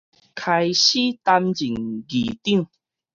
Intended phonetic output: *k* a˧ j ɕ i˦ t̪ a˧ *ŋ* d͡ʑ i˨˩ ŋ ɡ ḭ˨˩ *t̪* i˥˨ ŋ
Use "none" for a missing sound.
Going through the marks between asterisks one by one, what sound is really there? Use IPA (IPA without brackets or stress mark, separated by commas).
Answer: kʰ, m, t̪